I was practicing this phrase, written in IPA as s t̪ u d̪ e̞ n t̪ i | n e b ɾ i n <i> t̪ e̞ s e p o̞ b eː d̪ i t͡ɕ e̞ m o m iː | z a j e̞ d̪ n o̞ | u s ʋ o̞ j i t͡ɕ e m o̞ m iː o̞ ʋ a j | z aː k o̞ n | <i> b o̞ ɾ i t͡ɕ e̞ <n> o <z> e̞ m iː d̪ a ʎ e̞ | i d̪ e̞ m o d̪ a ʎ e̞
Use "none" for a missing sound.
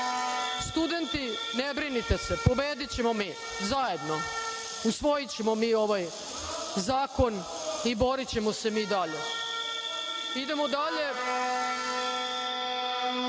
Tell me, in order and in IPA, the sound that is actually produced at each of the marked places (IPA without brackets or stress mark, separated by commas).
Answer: i, i, m, s